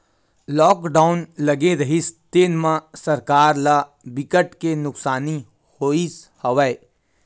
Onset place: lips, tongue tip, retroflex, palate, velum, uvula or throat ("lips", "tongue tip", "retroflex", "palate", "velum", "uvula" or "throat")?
tongue tip